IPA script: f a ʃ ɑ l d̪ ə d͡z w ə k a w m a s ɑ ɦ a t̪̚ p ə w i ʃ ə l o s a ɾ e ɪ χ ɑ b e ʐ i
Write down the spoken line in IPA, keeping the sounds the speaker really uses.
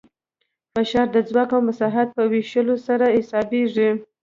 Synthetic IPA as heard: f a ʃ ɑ ɾ d̪ ə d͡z w ɑ k a w m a s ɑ ɦ a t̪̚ p ə w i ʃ ə l o s a ɾ a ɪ s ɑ b e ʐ i